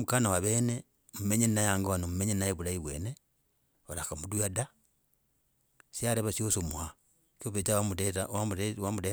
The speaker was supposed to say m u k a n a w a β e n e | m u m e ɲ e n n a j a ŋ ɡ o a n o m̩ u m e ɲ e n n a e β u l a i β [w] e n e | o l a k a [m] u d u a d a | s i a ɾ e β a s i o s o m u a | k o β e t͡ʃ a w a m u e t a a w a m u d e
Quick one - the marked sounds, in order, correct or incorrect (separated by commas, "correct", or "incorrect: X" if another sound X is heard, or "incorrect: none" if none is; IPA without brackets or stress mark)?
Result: correct, correct